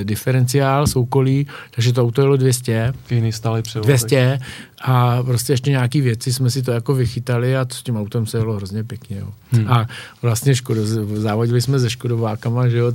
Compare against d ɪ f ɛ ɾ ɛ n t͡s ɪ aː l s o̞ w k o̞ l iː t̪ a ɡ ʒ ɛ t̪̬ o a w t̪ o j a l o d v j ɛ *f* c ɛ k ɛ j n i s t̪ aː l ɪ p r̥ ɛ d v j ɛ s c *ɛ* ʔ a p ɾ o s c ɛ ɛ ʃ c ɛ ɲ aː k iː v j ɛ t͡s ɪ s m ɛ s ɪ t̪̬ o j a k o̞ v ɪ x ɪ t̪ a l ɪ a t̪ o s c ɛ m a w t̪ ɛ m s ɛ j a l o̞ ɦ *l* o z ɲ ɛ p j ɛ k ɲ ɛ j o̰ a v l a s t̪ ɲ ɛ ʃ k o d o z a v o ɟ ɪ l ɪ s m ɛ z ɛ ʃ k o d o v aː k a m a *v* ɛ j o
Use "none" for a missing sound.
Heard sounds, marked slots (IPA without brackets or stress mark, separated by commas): s, ɛ, ɾ, ʒ